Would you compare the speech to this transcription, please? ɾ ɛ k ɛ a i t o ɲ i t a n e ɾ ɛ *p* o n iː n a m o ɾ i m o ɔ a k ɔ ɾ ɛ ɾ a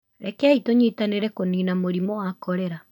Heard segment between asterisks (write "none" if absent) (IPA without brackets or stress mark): k